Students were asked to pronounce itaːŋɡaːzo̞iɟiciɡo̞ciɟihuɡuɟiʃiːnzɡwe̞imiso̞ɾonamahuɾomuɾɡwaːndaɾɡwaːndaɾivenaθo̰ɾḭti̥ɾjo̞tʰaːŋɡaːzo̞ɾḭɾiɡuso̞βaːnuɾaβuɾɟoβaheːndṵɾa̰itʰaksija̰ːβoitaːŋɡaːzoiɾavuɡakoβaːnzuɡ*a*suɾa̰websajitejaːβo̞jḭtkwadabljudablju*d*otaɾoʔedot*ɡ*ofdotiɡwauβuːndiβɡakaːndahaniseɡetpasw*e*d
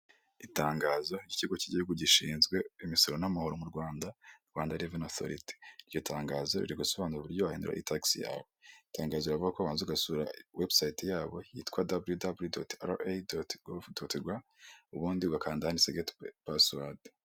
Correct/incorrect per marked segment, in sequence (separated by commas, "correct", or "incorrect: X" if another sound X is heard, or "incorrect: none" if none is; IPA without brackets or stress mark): correct, correct, correct, incorrect: a